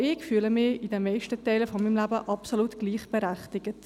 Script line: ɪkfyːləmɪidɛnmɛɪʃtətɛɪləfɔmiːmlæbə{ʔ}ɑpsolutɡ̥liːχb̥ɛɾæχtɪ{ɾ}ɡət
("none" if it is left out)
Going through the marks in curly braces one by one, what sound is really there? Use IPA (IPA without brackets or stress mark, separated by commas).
ʔ, none